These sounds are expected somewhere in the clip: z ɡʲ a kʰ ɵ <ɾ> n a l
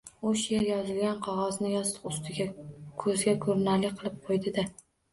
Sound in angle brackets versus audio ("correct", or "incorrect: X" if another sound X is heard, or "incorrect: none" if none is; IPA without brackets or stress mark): correct